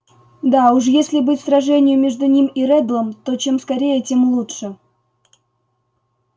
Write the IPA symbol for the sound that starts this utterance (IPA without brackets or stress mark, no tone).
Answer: d̪